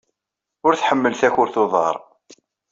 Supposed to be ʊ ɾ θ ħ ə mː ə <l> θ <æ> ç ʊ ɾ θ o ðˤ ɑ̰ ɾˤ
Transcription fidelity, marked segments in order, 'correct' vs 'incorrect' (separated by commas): correct, correct